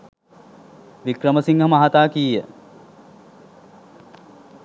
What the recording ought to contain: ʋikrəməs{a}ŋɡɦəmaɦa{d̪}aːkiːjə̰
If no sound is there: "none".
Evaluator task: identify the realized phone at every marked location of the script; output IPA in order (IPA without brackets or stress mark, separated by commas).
i, t̪